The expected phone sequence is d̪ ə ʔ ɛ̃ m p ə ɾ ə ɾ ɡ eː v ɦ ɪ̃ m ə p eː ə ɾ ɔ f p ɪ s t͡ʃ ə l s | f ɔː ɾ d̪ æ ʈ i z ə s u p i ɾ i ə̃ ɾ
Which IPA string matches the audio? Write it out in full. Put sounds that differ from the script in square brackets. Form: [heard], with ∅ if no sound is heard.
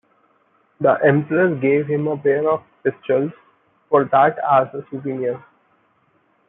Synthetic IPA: d̪ ə ʔ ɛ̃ m p ə ɾ ə ɾ ɡ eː [ʋ] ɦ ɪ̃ m ə p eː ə ɾ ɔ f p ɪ s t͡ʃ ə l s | f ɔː ɾ d̪ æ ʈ [æ] z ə s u p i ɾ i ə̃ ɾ